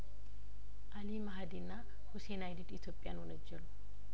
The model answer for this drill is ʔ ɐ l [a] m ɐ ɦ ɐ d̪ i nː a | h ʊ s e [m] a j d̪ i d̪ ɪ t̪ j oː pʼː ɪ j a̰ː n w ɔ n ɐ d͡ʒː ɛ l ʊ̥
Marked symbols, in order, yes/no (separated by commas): no, no